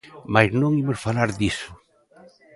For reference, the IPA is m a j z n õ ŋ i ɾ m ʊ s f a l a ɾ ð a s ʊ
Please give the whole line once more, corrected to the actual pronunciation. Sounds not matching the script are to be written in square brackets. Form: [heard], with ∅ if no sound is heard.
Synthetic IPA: m a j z n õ ŋ i [∅] m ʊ s f a l a ɾ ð [i] s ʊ